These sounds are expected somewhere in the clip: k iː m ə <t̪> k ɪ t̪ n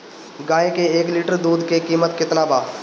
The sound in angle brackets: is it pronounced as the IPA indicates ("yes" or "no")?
yes